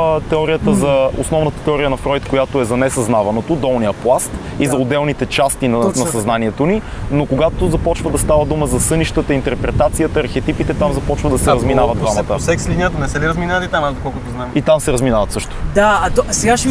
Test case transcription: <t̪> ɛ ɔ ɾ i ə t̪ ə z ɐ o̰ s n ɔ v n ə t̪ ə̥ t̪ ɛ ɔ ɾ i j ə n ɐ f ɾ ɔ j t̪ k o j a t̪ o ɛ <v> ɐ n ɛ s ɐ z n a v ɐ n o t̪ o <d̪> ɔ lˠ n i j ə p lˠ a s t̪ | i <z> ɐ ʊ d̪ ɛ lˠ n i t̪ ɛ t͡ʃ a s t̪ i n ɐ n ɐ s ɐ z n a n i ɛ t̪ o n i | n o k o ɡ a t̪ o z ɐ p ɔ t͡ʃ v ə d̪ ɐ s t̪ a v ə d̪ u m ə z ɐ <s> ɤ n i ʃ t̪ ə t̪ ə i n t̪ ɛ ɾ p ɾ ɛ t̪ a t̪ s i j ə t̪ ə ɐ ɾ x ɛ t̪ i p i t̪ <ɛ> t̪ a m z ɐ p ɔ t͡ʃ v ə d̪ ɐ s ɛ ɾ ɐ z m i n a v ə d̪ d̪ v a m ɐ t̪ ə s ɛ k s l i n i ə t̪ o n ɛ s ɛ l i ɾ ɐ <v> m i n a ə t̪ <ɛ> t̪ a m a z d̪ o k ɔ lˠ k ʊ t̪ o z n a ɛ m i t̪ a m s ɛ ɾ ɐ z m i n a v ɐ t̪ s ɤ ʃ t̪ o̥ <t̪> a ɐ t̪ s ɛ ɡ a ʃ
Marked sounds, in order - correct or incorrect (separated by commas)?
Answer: correct, incorrect, correct, correct, correct, correct, incorrect, incorrect, incorrect